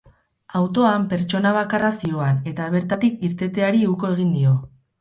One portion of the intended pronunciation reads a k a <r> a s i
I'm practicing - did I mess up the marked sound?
no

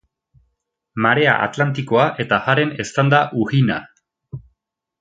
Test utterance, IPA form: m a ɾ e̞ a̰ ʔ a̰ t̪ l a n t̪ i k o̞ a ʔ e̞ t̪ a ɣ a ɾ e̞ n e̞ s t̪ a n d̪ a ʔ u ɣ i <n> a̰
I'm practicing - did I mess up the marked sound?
no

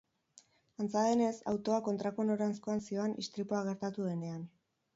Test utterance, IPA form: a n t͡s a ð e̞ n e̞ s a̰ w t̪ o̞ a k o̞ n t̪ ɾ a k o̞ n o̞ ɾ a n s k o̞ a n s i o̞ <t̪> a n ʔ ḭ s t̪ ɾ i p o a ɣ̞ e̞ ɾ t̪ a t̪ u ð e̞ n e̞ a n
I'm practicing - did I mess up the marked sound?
yes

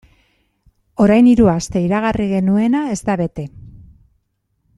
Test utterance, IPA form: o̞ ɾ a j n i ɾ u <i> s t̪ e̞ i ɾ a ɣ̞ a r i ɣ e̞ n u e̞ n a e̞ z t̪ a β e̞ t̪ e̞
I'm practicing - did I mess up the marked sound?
yes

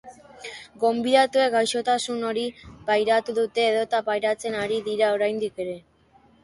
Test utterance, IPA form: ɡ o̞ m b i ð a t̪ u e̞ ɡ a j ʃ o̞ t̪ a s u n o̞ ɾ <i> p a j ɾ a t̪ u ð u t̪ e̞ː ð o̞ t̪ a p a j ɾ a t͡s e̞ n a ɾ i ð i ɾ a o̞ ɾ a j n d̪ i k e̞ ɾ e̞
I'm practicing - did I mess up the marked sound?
no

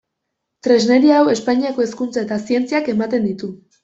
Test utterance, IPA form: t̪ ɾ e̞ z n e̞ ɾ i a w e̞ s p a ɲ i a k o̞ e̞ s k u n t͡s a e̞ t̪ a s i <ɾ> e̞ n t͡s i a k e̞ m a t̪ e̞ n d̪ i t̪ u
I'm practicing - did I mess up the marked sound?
yes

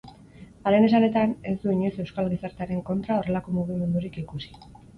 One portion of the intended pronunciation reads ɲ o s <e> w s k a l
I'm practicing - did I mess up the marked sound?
no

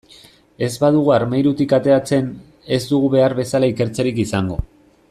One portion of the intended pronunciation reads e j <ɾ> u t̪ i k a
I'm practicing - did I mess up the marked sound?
no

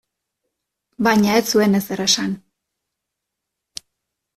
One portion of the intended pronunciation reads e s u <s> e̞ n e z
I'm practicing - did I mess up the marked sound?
yes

